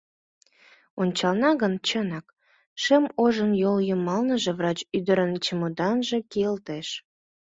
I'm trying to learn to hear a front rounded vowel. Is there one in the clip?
yes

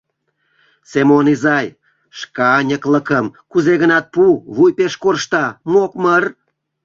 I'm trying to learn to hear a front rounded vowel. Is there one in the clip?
no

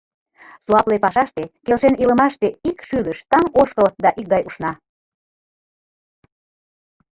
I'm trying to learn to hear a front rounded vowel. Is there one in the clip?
yes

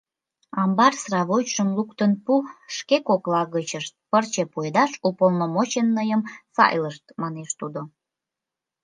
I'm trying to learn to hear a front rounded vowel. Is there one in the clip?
no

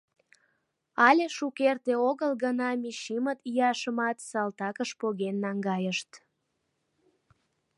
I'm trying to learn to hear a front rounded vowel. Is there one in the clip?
no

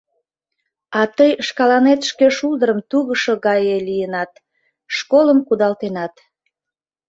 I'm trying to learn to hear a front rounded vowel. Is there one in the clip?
no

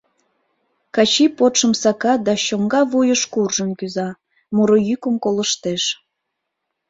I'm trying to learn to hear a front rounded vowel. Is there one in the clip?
yes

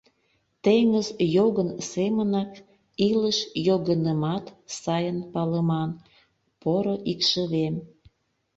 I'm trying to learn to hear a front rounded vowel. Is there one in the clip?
no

